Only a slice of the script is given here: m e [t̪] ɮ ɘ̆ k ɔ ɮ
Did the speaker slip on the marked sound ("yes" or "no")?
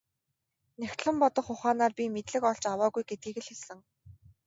no